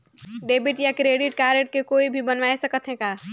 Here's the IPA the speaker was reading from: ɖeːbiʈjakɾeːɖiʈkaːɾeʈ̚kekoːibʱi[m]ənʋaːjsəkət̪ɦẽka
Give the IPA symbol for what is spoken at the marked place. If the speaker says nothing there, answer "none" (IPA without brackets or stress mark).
b